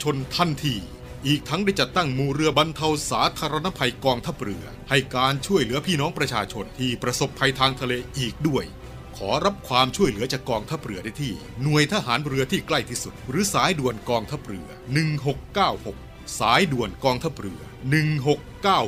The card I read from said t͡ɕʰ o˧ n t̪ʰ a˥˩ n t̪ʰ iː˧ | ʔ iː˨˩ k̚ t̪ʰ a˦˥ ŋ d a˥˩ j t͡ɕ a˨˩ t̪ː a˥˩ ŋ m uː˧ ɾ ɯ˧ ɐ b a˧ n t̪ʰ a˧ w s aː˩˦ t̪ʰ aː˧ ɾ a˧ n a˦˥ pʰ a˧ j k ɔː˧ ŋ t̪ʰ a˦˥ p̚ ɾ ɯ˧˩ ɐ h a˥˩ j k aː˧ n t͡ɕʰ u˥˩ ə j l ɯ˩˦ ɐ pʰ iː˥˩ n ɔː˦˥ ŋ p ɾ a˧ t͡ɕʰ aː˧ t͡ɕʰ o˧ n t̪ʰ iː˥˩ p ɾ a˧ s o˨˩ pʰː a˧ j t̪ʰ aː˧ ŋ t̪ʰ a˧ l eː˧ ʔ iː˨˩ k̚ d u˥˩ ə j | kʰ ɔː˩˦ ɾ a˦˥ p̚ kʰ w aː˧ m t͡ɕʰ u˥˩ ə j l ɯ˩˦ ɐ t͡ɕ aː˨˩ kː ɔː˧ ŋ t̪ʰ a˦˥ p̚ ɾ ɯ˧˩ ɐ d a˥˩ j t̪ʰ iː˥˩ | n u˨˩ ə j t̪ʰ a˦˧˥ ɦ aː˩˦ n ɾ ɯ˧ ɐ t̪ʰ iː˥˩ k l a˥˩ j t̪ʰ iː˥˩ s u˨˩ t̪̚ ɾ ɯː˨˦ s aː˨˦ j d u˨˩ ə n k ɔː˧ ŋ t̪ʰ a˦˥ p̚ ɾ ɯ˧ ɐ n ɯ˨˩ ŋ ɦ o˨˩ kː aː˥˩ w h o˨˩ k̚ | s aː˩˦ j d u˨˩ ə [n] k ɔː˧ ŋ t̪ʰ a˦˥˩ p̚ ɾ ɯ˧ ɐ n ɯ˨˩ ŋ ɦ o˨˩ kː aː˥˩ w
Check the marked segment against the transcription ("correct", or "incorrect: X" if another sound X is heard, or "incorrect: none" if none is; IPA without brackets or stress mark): correct